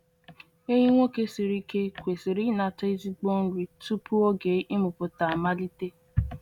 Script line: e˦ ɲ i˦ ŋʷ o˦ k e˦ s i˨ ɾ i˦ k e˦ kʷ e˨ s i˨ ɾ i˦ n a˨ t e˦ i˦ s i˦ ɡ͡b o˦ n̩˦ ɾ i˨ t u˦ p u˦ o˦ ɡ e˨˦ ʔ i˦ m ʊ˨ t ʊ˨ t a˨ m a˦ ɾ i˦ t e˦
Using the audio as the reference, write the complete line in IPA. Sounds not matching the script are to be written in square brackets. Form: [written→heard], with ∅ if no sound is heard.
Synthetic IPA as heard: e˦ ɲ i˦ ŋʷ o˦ k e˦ s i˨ ɾ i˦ k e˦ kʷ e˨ s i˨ ɾ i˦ n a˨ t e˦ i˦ [s→z] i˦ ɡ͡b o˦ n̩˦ ɾ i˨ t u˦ p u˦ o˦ ɡ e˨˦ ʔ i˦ m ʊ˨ [t→p] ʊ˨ t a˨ m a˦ [ɾ→l] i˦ t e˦